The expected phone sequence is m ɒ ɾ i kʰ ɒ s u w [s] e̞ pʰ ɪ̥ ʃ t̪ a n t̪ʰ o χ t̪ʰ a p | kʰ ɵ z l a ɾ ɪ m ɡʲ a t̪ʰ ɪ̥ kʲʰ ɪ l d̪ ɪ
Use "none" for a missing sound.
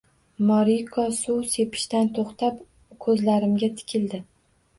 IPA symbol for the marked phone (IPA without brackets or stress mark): s